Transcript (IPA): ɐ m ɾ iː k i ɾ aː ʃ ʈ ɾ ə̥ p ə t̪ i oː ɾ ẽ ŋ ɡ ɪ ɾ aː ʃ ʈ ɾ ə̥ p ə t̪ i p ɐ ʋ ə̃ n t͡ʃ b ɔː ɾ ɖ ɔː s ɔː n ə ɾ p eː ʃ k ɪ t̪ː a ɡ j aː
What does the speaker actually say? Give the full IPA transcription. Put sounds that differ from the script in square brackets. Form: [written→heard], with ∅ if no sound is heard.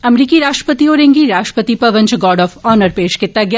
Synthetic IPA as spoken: ɐ m ɾ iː k i ɾ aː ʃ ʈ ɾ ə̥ p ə t̪ i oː ɾ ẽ ŋ ɡ [ɪ→i] ɾ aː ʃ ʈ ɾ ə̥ p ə t̪ i p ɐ ʋ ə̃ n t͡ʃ [b→ɡ] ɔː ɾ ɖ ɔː [s→f] ɔː n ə ɾ p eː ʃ k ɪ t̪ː a ɡ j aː